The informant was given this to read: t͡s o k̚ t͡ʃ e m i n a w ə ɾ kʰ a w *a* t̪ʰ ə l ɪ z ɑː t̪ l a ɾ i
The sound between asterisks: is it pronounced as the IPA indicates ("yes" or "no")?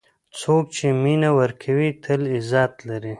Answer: no